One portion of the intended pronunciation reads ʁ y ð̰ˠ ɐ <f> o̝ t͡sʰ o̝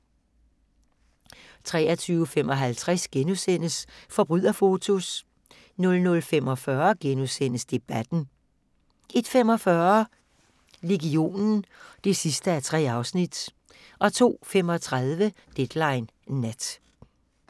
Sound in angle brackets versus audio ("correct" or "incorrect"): correct